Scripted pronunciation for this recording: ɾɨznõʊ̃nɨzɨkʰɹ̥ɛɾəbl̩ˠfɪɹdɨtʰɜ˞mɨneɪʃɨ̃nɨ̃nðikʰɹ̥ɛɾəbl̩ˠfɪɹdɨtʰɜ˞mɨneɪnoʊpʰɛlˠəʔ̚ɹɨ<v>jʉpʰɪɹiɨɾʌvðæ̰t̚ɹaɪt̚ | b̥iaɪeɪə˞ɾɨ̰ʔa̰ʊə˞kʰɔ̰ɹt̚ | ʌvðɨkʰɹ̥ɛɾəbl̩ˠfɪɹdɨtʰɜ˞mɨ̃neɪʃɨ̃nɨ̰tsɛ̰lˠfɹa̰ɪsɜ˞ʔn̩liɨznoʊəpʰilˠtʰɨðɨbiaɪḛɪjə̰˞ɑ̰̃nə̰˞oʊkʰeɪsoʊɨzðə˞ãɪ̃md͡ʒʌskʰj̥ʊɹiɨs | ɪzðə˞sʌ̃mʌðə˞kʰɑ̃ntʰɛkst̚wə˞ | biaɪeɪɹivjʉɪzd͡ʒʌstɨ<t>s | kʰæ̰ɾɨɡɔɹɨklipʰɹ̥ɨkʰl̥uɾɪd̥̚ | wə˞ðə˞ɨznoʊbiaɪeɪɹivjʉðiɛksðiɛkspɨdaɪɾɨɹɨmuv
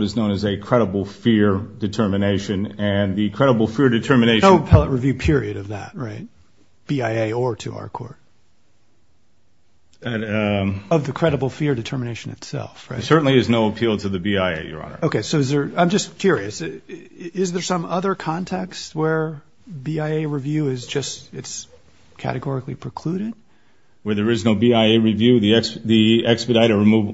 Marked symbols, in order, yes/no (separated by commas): yes, yes